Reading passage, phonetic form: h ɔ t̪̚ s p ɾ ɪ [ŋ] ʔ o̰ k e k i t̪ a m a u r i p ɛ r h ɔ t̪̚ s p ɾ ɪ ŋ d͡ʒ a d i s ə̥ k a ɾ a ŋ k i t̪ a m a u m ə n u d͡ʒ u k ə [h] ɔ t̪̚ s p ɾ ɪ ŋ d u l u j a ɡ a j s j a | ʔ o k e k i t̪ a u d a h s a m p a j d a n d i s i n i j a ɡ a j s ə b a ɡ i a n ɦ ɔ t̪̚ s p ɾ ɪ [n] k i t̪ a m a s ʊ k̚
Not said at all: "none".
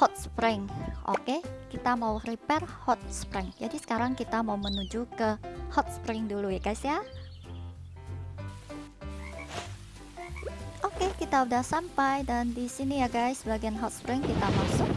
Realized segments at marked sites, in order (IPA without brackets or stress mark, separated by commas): ŋ, h, ŋ